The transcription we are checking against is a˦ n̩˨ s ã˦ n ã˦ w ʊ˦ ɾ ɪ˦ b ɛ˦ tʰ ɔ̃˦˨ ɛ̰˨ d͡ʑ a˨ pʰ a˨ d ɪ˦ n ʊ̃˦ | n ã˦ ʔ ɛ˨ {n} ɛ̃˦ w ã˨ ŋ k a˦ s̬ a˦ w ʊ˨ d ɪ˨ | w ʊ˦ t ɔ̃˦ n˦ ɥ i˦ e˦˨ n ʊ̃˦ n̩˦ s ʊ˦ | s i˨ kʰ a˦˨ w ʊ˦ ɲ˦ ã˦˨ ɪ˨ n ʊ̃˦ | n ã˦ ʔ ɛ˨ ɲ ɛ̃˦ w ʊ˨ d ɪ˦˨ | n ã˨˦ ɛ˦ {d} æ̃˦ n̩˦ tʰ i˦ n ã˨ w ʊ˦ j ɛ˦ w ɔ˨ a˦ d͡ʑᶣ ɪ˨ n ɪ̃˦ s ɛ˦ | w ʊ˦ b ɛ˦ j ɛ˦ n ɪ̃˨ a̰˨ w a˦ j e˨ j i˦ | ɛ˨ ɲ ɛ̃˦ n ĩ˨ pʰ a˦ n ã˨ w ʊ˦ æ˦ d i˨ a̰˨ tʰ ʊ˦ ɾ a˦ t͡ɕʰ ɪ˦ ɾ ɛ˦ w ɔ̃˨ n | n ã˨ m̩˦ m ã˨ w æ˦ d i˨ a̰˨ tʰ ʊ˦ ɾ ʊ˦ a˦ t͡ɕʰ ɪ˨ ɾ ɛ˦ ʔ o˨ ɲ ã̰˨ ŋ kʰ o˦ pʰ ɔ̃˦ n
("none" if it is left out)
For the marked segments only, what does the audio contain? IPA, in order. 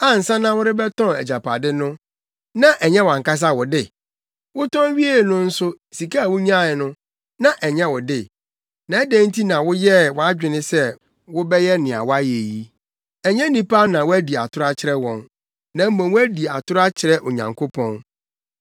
ɲ, d

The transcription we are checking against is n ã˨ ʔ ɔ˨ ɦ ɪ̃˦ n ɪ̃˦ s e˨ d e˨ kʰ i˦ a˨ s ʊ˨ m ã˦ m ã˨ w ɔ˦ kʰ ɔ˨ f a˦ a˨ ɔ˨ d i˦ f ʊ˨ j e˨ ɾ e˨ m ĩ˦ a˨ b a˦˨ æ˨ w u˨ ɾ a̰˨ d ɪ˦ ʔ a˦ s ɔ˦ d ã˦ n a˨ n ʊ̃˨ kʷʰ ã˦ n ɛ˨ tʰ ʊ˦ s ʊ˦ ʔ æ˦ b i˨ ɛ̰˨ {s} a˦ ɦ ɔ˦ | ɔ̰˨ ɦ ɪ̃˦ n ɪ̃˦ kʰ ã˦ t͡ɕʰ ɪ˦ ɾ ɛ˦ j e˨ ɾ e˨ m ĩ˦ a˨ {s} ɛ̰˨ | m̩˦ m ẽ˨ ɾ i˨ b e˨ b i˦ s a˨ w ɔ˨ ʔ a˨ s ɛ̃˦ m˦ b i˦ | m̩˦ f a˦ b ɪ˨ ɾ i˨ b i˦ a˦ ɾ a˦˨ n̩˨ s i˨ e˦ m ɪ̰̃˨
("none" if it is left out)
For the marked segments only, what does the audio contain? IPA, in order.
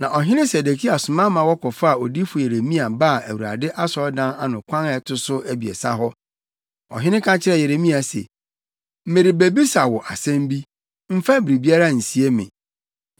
s, s

